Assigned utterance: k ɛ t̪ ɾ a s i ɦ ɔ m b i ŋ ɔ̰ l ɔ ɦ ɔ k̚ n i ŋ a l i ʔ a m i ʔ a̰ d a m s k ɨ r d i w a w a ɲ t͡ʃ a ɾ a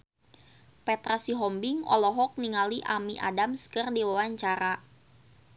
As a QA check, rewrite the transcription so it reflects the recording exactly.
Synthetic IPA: p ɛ t̪ ɾ a s i ɦ ɔ m b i ŋ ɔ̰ l ɔ ɦ ɔ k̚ n i ŋ a l i ʔ a m i ʔ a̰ d a m s k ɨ r d i w a w a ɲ t͡ʃ a ɾ a